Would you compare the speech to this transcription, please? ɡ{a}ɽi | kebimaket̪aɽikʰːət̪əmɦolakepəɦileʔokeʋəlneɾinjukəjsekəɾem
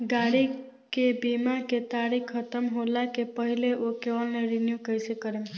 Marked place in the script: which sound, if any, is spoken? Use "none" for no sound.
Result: a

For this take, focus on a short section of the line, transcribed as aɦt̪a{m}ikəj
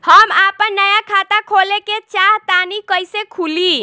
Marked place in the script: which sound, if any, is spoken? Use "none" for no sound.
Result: n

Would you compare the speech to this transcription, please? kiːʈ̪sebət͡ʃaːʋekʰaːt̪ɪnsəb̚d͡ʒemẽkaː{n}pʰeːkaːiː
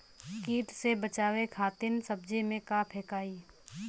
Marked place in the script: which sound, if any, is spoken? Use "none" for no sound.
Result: none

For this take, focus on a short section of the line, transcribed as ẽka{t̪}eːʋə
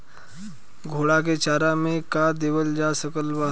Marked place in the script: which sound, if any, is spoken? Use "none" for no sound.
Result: d̪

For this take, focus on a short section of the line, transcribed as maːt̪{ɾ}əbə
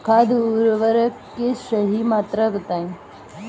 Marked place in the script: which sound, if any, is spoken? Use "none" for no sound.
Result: ɾ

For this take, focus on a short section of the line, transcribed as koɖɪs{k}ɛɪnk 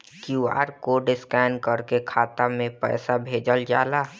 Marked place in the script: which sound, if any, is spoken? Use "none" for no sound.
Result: k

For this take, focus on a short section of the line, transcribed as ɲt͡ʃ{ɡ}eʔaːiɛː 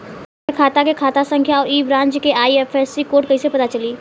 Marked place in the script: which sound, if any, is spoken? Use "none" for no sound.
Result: k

